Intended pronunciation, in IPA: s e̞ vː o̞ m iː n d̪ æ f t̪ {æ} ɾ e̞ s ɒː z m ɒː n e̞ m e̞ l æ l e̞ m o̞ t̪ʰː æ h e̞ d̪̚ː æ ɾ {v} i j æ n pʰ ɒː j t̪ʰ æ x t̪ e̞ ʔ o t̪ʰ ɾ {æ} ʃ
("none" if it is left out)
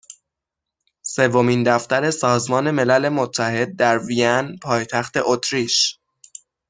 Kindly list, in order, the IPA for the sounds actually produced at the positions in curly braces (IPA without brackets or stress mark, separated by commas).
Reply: æ, v, i